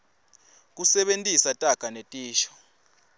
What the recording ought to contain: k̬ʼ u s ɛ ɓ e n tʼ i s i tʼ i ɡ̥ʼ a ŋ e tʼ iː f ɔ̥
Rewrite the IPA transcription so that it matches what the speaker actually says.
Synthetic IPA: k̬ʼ u s ɛ ɓ e n tʼ i s a tʼ a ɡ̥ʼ a n e tʼ iː ʃ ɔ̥